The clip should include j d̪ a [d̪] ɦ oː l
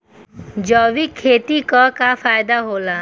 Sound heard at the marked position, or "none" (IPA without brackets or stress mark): none